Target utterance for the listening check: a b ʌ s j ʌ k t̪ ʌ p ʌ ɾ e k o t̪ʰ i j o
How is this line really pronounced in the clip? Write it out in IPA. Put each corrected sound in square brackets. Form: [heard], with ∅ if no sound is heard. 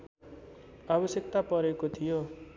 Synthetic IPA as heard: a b ʌ s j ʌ k t̪ [a] p ʌ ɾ e k o t̪ʰ i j o